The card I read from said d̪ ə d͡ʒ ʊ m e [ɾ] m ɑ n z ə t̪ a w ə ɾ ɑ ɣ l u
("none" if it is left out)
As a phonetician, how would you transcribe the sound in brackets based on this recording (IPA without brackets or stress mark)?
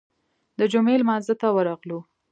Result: l